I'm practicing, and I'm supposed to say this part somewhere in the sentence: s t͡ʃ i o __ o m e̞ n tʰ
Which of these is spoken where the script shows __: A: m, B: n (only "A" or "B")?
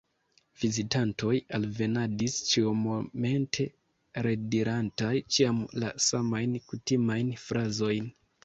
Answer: A